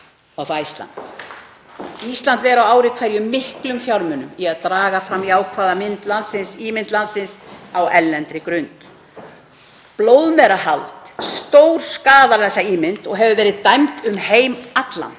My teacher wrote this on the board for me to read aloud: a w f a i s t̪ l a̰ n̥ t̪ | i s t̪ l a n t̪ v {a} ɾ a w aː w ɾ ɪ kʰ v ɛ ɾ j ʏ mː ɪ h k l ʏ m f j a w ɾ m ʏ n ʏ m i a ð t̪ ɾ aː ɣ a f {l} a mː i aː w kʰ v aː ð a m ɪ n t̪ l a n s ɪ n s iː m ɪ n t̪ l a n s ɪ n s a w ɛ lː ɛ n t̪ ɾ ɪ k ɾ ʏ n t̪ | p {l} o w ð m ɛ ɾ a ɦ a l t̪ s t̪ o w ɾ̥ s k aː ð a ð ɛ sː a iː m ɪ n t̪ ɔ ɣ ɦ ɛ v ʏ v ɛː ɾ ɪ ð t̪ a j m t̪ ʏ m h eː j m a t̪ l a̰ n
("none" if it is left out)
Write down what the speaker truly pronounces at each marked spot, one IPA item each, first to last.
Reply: ɛ, ɾ, l

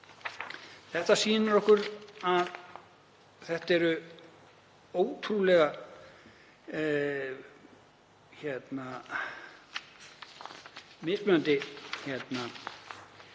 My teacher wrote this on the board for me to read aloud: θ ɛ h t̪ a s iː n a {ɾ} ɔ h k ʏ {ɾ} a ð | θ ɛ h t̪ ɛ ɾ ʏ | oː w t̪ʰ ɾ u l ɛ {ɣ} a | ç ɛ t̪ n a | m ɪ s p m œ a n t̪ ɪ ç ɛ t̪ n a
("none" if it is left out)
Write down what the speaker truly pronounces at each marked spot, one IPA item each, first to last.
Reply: ɾ, ɾ, ɣ

